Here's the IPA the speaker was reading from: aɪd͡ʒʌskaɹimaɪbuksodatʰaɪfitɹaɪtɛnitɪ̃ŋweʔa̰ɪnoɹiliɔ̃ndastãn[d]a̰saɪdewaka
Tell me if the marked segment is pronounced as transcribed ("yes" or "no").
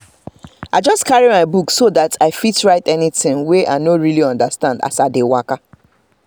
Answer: yes